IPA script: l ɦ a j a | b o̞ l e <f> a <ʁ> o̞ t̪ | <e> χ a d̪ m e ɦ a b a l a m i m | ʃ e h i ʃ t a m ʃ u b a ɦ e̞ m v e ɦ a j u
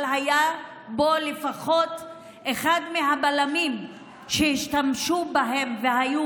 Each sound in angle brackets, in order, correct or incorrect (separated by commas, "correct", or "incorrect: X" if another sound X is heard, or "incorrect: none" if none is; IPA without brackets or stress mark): correct, incorrect: χ, correct